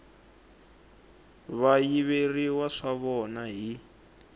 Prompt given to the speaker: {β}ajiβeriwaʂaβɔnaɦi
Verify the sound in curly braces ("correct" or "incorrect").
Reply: correct